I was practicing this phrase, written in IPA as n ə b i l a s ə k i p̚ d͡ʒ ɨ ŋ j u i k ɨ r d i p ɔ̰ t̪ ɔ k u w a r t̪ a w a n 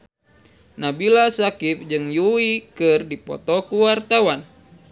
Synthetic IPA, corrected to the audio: n a b i l a s a k i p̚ d͡ʒ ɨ ŋ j u i k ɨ r d i p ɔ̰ t̪ ɔ k u w a r t̪ a w a n